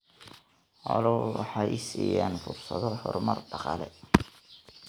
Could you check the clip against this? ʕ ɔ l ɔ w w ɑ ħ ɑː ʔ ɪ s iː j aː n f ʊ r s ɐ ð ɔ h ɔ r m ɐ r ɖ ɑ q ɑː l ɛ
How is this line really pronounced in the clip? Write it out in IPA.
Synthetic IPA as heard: ʕ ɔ l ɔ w w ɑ ħ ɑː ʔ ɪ s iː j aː n f ʊ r s ɐ ð ɔ h ɔ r m ɐ r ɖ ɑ q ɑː l ɛ